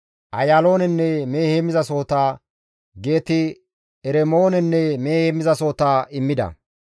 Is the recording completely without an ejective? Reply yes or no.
yes